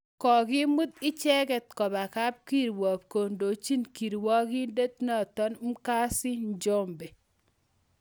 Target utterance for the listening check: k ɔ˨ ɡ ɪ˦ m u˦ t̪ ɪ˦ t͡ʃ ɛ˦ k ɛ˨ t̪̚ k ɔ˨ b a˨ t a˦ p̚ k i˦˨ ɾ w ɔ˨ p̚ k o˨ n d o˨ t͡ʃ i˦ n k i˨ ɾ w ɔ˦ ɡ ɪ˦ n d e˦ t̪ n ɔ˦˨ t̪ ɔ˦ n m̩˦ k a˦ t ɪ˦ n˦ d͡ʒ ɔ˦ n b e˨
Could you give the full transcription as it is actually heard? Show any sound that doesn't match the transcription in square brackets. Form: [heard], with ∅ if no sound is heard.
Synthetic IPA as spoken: k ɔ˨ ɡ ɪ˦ m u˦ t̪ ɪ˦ t͡ʃ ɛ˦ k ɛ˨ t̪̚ k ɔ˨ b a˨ [k] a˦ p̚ k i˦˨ ɾ w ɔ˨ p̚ k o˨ n d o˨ t͡ʃ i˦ n k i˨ ɾ w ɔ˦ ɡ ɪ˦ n d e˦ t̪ n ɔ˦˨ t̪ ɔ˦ n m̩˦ k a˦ [s] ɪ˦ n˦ d͡ʒ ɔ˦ [m] b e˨